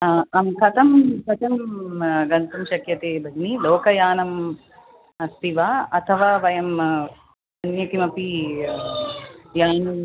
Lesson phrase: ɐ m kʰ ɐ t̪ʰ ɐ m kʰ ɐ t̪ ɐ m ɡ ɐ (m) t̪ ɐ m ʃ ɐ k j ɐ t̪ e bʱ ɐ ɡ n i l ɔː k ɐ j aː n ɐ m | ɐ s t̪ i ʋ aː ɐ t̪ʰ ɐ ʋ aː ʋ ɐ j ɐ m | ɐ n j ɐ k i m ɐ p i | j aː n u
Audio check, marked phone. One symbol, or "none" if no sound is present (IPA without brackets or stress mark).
n